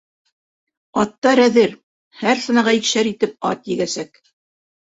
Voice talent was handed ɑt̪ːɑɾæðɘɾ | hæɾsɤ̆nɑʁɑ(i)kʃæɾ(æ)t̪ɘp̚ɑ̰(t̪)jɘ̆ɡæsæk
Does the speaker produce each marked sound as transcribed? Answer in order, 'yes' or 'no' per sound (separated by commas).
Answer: yes, no, yes